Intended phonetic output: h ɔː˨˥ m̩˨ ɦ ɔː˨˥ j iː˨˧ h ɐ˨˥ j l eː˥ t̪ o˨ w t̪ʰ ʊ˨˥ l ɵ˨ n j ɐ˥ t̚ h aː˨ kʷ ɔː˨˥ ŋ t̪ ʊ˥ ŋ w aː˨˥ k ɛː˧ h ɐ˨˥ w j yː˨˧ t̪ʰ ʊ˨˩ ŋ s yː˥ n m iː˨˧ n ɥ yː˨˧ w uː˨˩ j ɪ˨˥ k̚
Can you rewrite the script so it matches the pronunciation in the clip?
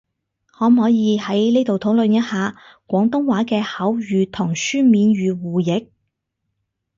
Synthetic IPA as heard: h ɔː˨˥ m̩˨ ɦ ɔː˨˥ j iː˨˧ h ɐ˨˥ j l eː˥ t̪ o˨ w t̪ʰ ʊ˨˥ l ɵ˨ n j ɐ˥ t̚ h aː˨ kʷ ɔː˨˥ ŋ t̪ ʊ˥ ŋ w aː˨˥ k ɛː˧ h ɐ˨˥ w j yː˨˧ t̪ʰ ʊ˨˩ ŋ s yː˥ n m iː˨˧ n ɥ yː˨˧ w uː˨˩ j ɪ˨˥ k̚